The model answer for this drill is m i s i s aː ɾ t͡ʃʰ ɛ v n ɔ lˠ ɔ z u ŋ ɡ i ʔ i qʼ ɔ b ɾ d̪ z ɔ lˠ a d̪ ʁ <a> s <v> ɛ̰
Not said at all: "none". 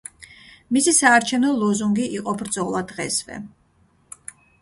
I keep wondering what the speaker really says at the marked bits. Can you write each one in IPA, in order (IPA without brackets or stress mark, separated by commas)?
ɛ, v